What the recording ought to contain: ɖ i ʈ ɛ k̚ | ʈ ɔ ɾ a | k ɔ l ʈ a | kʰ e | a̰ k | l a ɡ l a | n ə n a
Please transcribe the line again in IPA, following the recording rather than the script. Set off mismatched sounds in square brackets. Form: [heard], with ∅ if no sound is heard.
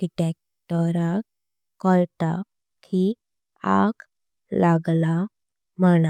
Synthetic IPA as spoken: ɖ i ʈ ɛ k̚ | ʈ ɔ ɾ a | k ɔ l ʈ a | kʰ [i] | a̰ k | l a ɡ l a | [m] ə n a